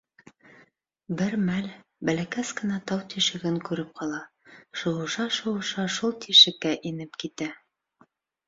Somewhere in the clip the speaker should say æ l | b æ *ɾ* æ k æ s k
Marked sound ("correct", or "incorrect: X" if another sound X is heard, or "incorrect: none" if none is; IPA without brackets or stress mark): incorrect: l